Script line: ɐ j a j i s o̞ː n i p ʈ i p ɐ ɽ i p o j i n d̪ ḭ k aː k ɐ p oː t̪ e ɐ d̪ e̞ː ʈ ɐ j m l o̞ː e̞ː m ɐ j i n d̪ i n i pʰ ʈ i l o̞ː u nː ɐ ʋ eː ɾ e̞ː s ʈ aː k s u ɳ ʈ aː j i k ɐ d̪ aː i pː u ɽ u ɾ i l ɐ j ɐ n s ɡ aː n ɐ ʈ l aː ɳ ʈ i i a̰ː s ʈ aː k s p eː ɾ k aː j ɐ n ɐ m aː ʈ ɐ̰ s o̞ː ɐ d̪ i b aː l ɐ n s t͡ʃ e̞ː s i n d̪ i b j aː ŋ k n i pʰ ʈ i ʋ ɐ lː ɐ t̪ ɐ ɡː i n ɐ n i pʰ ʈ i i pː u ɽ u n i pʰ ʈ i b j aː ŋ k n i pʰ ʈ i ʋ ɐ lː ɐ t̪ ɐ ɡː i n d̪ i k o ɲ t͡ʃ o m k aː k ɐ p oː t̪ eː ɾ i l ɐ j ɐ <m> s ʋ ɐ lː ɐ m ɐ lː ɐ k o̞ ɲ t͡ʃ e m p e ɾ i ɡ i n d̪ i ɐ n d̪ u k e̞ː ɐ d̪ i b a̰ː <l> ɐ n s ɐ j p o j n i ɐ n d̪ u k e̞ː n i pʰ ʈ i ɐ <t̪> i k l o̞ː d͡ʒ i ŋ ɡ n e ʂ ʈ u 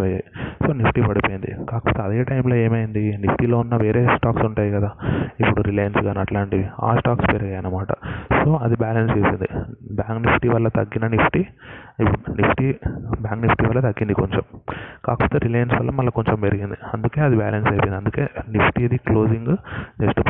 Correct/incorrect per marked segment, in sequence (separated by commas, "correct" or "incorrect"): incorrect, correct, incorrect